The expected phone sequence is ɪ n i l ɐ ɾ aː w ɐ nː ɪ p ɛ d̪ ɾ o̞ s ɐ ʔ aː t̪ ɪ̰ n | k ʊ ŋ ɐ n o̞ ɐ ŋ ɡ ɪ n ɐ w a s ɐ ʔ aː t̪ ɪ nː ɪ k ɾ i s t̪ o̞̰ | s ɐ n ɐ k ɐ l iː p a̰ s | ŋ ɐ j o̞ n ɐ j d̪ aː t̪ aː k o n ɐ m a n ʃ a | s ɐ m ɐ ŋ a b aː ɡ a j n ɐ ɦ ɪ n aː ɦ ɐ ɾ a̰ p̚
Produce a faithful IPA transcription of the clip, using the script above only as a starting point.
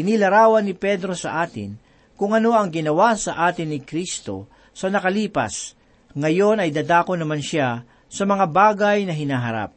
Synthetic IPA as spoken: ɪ n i l ɐ ɾ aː w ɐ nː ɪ p ɛ d̪ ɾ o̞ s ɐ ʔ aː t̪ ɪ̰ n | k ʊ ŋ ɐ n o̞ ɐ ŋ ɡ ɪ n ɐ w a s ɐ ʔ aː t̪ ɪ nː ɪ k ɾ i s t̪ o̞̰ | s ɐ n ɐ k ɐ l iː p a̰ s | ŋ ɐ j o̞ n ɐ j d̪ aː d̪ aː k o n ɐ m a n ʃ a | s ɐ m ɐ ŋ a b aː ɡ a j n ɐ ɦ ɪ n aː ɦ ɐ ɾ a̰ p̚